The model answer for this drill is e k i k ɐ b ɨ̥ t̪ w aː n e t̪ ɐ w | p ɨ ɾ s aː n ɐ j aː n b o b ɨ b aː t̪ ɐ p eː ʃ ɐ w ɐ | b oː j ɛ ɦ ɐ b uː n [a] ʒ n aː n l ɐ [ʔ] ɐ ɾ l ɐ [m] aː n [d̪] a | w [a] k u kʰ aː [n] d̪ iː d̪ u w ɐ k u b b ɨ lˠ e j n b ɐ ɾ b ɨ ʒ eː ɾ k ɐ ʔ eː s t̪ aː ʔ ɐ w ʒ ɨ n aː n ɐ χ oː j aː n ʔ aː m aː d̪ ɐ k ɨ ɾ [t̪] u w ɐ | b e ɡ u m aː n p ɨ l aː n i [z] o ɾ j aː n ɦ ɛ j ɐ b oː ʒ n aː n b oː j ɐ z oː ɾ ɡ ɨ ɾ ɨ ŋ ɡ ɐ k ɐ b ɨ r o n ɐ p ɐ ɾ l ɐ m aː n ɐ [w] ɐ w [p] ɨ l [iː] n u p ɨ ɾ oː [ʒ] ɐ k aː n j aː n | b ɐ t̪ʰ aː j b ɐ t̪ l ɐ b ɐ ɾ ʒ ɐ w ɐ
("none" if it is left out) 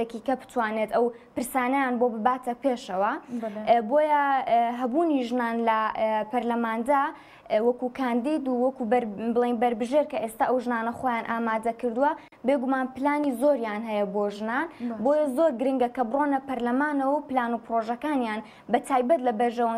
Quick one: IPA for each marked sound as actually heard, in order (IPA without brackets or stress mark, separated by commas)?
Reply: i, p, m, d̪, ɐ, n, d̪, z, w, p, aː, ʒ